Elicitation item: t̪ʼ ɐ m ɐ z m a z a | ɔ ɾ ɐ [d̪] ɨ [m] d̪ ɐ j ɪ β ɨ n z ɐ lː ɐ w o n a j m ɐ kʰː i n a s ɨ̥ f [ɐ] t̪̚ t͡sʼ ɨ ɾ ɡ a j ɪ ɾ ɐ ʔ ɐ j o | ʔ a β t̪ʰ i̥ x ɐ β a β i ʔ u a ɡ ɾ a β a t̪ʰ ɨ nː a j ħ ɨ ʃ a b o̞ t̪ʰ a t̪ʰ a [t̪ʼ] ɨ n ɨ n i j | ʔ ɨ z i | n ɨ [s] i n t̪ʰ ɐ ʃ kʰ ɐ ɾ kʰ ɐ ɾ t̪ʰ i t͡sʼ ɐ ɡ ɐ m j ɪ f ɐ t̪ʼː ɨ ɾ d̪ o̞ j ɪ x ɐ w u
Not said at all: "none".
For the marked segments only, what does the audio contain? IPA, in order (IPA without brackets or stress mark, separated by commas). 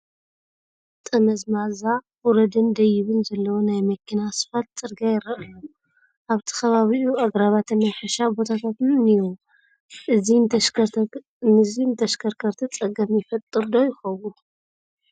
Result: d̪, n, a, t̪, z